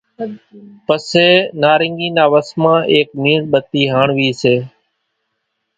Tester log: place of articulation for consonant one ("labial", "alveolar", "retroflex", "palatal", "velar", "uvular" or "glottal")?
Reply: labial